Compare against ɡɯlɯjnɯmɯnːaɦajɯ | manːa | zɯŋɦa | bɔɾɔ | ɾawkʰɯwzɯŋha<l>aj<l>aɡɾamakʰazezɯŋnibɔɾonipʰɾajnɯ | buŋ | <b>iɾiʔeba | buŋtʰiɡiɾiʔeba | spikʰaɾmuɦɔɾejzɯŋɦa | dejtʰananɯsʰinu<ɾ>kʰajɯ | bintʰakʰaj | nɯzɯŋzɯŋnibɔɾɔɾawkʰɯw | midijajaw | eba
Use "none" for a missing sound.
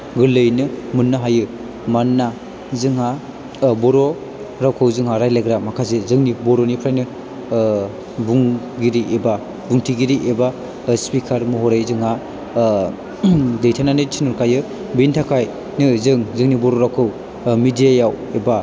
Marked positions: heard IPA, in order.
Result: ɾ, l, ɡ, ɾ

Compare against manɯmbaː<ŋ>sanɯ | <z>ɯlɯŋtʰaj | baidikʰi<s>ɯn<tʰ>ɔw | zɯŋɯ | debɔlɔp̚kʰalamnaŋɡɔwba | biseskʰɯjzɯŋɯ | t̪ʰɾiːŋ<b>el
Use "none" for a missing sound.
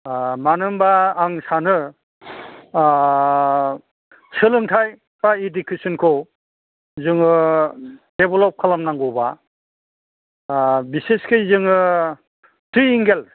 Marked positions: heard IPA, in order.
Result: ŋ, s, s, kʰ, ɡ

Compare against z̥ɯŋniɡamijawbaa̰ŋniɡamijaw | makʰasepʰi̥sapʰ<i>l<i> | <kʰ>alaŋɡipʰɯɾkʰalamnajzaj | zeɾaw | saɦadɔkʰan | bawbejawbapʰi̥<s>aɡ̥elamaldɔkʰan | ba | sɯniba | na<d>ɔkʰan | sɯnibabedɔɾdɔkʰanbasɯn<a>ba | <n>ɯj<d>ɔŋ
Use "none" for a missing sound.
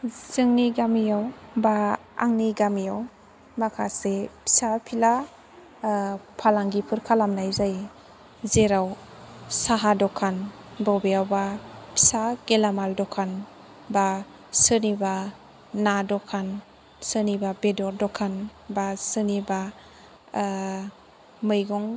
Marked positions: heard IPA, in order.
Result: i, a, pʰ, s, d, i, m, ɡ

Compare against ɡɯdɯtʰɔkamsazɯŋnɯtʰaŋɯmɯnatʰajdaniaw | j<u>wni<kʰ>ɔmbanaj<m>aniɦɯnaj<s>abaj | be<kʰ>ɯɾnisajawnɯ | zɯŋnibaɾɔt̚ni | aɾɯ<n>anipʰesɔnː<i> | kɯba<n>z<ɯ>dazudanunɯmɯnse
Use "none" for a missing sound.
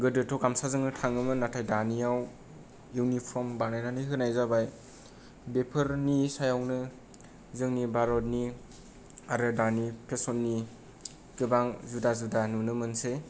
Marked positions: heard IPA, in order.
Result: u, pʰ, n, z, pʰ, d, i, ŋ, u

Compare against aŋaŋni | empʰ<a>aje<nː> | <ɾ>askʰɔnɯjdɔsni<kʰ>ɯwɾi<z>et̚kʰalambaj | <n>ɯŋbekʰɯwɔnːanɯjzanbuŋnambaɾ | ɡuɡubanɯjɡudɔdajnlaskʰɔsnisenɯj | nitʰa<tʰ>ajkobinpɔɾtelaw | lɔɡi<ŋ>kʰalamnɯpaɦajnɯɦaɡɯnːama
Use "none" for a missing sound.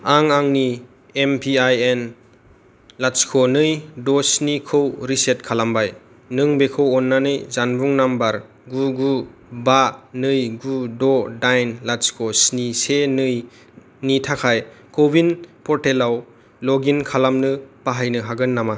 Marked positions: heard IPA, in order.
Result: i, n, l, kʰ, s, n, kʰ, n

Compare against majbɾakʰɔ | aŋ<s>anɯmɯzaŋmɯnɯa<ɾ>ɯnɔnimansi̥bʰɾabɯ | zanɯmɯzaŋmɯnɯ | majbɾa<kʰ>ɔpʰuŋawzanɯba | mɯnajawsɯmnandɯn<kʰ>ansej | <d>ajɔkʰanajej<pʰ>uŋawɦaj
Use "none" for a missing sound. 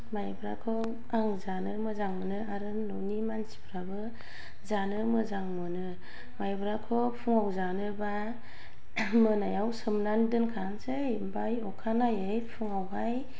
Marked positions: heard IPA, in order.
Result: z, ɾ, kʰ, kʰ, b, pʰ

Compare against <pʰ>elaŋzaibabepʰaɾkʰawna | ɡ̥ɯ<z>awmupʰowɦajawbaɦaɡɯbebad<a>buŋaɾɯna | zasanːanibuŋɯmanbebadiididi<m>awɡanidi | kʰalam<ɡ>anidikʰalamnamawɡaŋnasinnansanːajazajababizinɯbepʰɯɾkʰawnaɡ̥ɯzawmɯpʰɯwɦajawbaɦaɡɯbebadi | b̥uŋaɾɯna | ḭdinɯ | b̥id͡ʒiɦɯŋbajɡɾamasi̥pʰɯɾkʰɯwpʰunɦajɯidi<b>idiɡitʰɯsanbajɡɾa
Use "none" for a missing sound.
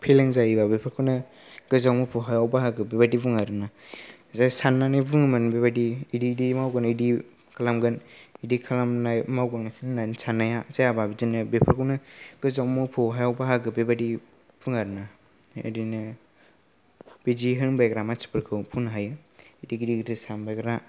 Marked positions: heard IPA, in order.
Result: pʰ, z, i, m, ɡ, ɡ

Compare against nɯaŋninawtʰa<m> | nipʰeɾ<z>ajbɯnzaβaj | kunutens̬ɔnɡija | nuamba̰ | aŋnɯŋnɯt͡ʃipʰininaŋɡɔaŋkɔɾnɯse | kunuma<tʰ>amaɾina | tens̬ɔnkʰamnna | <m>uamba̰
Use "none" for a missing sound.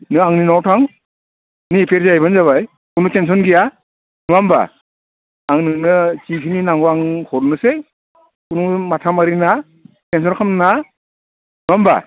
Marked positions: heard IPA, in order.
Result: ŋ, z, tʰ, n

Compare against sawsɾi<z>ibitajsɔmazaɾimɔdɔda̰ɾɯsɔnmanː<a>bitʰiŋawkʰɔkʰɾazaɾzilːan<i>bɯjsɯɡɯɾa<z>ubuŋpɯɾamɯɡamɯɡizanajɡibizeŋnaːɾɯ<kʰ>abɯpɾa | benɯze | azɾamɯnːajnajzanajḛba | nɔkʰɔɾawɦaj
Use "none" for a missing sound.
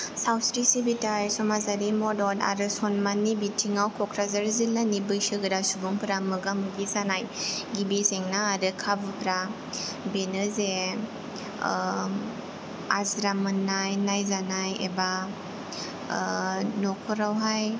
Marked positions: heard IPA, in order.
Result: s, i, i, s, kʰ

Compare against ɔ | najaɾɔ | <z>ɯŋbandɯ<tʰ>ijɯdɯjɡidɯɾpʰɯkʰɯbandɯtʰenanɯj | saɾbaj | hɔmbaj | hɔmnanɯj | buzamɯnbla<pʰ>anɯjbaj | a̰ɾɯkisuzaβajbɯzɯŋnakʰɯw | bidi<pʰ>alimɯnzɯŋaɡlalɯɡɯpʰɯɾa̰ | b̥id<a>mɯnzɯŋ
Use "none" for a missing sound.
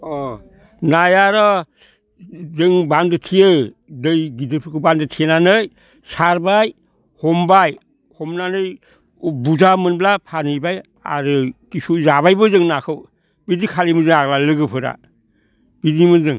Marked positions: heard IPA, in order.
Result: z, tʰ, pʰ, kʰ, i

